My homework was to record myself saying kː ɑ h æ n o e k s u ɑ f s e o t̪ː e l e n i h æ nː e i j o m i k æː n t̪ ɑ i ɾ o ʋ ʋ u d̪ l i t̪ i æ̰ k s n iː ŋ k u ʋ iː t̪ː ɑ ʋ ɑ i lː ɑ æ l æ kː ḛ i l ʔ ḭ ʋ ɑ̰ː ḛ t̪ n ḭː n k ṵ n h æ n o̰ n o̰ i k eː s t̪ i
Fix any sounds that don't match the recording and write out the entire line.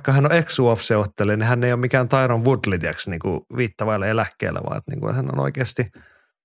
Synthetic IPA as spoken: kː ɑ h æ n o e k s u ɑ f s e o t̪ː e l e n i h æ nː e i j o m i k æː n t̪ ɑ i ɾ o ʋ ʋ u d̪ l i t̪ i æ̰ k s n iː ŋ k u ʋ iː t̪ː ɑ ʋ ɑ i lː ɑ e l æ kː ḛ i l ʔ æ̰ ʋ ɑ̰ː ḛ t̪ n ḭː ŋ k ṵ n h æ n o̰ n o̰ i k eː s t̪ i